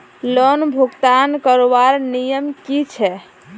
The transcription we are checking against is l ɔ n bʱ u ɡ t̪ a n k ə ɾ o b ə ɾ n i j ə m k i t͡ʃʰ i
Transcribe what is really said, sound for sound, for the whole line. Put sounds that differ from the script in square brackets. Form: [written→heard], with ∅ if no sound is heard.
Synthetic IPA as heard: l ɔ n bʱ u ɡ t̪ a n k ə ɾ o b [ə→a] ɾ n i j ə m k i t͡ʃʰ [i→ɛ]